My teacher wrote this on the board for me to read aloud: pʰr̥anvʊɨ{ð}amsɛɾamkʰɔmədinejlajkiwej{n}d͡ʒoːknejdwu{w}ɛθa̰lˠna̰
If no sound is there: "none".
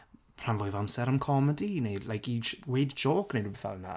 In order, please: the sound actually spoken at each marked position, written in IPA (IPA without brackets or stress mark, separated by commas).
v, d, b